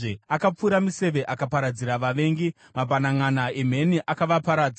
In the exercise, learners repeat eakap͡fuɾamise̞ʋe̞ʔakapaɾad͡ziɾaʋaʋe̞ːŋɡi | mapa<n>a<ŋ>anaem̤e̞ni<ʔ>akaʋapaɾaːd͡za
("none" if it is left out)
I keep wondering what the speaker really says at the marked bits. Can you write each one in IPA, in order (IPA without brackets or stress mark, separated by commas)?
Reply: n, ŋ, ʔ